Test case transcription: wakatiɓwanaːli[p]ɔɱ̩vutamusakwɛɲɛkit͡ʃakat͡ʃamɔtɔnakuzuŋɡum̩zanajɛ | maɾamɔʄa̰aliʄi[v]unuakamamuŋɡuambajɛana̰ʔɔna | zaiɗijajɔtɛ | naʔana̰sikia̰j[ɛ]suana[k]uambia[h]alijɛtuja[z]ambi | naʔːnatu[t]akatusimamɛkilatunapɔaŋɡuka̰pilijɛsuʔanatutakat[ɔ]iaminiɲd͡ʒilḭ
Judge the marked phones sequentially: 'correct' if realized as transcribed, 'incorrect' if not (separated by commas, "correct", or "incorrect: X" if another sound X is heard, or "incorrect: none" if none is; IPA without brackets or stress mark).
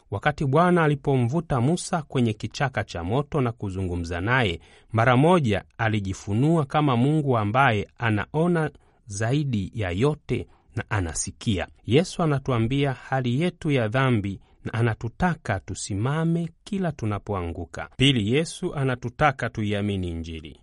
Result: correct, incorrect: f, correct, incorrect: t, correct, incorrect: ð, correct, incorrect: u